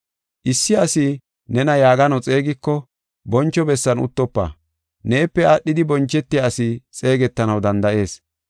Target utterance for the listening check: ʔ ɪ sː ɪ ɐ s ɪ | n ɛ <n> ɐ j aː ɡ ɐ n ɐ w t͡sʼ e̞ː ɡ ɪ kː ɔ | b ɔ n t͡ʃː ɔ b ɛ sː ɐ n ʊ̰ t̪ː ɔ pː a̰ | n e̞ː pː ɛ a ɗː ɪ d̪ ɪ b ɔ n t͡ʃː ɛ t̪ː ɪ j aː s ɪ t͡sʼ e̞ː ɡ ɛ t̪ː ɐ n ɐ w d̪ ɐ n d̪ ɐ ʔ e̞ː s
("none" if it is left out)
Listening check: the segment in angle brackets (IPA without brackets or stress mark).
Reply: n